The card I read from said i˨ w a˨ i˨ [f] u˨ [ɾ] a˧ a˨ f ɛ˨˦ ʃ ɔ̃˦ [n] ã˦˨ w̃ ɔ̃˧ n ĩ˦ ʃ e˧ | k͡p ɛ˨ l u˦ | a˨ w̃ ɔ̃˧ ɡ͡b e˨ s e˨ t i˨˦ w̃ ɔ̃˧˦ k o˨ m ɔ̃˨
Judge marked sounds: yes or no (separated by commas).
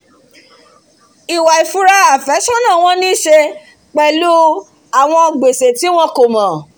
yes, yes, yes